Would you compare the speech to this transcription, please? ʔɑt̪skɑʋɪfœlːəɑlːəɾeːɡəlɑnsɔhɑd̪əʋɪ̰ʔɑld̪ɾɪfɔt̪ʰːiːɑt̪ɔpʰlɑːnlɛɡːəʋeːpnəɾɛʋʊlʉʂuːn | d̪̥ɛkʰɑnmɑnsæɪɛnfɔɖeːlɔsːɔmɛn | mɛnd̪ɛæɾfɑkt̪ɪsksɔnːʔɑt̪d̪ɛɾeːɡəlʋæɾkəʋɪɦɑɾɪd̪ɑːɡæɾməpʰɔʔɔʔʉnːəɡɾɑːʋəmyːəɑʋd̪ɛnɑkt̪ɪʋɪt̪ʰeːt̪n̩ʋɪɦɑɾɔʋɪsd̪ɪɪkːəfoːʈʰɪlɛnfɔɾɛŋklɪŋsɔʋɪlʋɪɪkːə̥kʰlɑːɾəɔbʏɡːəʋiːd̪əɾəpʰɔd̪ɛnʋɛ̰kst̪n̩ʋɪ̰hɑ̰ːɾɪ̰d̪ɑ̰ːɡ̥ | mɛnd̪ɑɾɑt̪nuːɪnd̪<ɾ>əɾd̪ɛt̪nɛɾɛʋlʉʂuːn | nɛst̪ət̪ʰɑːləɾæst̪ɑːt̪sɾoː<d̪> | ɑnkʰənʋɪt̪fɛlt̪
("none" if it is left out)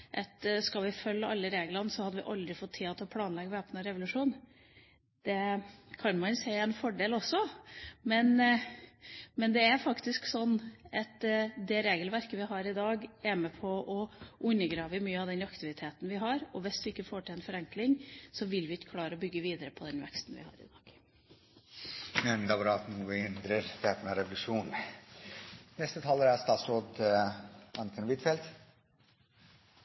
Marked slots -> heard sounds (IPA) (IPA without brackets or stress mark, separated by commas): ɾ, d̪